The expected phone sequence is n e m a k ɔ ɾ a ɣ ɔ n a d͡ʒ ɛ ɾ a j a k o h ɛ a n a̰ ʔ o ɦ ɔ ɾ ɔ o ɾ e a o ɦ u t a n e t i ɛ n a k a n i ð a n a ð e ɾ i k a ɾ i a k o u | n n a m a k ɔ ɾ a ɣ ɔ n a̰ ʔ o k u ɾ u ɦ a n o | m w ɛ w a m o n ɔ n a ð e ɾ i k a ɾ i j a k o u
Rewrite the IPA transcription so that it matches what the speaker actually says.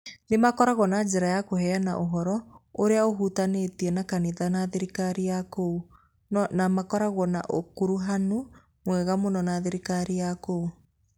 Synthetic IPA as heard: n e m a k ɔ ɾ a ɣ ɔ n a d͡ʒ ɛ ɾ a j a k o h ɛ a n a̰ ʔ o ɦ ɔ ɾ ɔ o ɾ e a o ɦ u t a n e t i ɛ n a k a n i ð a n a ð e ɾ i k a ɾ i a k o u | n n a m a k ɔ ɾ a ɣ ɔ n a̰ ʔ o k u ɾ u ɦ a n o | m w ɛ ɣ a m o n ɔ n a ð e ɾ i k a ɾ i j a k o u